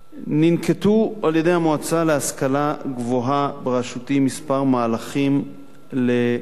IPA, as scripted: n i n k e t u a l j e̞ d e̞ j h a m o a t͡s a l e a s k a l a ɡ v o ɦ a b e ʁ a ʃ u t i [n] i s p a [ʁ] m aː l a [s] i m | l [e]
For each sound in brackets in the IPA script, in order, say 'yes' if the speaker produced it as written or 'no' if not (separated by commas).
no, yes, no, yes